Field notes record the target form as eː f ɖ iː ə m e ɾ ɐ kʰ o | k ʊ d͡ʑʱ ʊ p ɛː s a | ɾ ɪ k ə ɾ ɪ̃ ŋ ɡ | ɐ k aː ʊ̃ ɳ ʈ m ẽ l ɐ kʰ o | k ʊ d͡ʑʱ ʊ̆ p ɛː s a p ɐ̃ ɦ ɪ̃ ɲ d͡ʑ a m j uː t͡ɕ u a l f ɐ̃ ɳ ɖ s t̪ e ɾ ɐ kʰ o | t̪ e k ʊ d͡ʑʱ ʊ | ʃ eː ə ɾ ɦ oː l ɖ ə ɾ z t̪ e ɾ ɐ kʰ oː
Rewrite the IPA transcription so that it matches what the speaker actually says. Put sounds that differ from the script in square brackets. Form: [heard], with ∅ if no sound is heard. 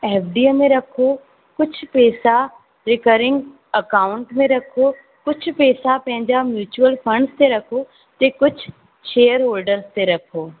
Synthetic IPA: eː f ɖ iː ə m [ẽ] ɾ ɐ kʰ o | k ʊ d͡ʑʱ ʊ p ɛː s a | ɾ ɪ k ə ɾ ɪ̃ ŋ ɡ | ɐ k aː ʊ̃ ɳ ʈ m ẽ [ɾ] ɐ kʰ o | k ʊ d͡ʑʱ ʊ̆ p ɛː s a p ɐ̃ ɦ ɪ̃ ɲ d͡ʑ a m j uː t͡ɕ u [ə] l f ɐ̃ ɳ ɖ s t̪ e ɾ ɐ kʰ o | t̪ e k ʊ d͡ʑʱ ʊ | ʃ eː ə ɾ ɦ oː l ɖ ə ɾ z t̪ e ɾ ɐ kʰ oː